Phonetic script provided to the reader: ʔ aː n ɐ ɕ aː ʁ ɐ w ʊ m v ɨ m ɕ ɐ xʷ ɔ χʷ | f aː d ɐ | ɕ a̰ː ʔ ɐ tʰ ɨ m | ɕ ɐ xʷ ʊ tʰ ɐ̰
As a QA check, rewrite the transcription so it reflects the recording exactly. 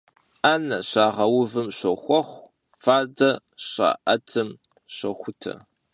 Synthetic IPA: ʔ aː n ɐ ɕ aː ʁ ɐ w ʊ v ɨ m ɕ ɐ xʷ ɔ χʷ | f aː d ɐ | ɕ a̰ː ʔ ɐ tʰ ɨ m | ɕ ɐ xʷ ʊ tʰ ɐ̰